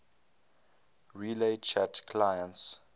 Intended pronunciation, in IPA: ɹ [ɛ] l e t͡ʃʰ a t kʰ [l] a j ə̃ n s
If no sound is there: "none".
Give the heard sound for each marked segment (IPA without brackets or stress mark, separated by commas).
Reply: i, l